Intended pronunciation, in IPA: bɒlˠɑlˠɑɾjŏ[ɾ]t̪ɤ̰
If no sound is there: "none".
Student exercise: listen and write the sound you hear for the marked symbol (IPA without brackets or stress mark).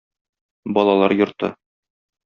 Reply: ɾ